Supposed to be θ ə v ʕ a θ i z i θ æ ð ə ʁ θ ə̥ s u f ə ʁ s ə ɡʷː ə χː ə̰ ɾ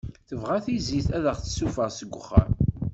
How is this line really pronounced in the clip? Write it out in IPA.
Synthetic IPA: θ ə v ʁ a θ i z i θ æ ð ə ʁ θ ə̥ s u f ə ʁ s ə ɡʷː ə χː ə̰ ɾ